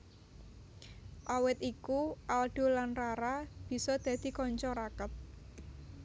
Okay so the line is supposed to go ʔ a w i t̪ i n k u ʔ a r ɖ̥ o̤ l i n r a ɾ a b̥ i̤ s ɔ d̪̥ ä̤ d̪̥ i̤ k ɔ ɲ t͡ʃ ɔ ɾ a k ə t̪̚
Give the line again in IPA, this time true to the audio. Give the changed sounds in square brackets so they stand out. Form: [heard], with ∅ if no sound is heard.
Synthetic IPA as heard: ʔ a w [ɪ] t̪ i [∅] k u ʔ a [l] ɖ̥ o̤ l [a] n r a ɾ a b̥ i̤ s ɔ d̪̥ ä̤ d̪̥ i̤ k ɔ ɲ t͡ʃ ɔ ɾ a k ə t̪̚